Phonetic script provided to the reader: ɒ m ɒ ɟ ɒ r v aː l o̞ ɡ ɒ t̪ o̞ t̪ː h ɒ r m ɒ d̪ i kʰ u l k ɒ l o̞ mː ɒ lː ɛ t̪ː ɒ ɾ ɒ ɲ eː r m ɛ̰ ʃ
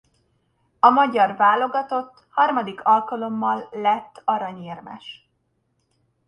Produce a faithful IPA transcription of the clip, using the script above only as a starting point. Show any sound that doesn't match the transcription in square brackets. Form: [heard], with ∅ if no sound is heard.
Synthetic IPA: ɒ m ɒ ɟ ɒ r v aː l o̞ ɡ ɒ t̪ o̞ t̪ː h ɒ r m ɒ d̪ i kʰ [ɒ] l k ɒ l o̞ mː ɒ lː ɛ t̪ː ɒ ɾ ɒ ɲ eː r m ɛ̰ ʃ